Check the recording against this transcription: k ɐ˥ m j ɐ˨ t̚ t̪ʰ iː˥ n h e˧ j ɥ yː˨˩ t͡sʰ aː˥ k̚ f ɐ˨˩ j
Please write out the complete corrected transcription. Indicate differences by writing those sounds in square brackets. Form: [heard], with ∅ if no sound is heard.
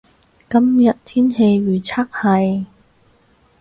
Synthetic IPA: k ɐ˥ m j ɐ˨ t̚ t̪ʰ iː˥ n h e˧ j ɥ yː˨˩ t͡sʰ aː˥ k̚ [h] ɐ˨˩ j